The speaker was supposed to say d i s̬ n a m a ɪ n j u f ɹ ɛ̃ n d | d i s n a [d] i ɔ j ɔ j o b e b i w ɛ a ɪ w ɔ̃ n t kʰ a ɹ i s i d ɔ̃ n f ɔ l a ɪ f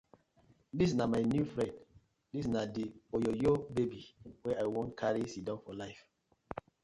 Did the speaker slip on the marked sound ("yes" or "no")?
no